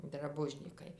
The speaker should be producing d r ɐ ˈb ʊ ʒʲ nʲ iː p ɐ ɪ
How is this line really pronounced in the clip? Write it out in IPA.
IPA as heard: d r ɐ ˈb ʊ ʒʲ nʲ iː k ɐ ɪ